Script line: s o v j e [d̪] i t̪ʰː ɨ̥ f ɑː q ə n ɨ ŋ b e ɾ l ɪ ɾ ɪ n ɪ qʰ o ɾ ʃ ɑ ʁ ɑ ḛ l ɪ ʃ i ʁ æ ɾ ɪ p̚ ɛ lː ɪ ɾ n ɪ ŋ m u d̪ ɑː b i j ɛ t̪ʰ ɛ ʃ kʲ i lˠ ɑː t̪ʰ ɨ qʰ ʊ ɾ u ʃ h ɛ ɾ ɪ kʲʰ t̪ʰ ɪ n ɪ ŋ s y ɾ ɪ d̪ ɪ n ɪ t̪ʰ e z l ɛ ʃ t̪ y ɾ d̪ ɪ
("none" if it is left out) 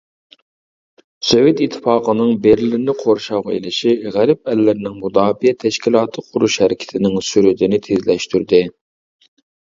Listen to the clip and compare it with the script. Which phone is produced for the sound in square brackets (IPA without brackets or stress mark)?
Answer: t̪